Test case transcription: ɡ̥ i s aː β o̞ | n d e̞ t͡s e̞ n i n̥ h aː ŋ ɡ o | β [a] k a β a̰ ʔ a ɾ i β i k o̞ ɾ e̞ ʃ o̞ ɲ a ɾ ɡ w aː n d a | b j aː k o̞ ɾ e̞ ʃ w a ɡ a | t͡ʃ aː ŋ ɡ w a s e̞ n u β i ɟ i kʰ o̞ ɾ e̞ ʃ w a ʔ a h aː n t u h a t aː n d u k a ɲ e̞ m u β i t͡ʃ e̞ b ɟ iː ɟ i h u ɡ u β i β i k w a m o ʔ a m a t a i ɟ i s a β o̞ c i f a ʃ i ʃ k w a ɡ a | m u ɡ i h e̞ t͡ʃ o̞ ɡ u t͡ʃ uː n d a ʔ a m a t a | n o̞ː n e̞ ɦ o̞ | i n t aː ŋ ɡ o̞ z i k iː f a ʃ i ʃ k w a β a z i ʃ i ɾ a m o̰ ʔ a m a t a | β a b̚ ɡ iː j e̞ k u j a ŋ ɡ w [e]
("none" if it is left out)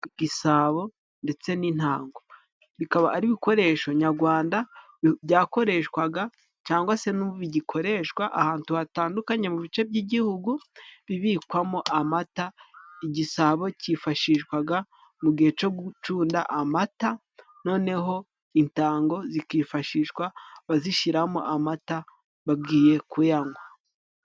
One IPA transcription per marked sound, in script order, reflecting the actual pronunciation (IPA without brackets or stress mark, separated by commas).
i, a